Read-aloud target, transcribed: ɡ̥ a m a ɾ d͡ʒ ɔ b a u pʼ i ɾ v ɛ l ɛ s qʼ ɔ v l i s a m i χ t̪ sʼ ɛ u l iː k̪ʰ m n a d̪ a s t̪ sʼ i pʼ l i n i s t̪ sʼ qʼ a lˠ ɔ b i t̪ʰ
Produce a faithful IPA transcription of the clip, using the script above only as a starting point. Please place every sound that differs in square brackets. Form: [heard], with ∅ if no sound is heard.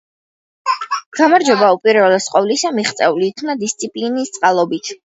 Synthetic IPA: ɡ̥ a m a ɾ d͡ʒ ɔ b a u pʼ i ɾ v ɛ l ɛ s qʼ ɔ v l i s a m i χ t̪ sʼ ɛ u l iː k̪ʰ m n a d̪ [i] s t̪ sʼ i pʼ l i n i s t̪ sʼ qʼ a lˠ ɔ b i t̪ʰ